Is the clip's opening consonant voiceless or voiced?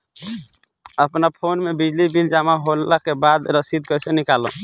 voiceless